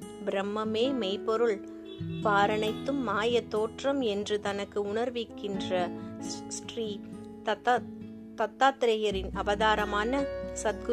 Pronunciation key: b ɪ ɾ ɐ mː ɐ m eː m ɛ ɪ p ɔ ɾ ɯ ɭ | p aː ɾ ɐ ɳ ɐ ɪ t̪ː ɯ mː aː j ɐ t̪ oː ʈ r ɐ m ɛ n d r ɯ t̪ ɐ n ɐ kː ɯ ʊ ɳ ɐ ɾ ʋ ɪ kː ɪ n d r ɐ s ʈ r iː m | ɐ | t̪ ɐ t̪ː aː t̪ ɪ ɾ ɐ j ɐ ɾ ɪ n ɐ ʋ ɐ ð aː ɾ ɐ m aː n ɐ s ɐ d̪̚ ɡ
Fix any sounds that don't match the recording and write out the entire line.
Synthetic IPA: b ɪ ɾ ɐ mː ɐ m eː m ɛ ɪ p ɔ ɾ ɯ ɭ | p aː ɾ ɐ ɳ ɐ ɪ t̪ː ɯ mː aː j ɐ t̪ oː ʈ r ɐ m ɛ n d r ɯ t̪ ɐ n ɐ kː ɯ ʊ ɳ ɐ ɾ ʋ ɪ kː ɪ n d r ɐ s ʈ r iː | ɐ | t̪ ɐ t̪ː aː t̪ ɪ ɾ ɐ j ɐ ɾ ɪ n ɐ ʋ ɐ ð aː ɾ ɐ m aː n ɐ s ɐ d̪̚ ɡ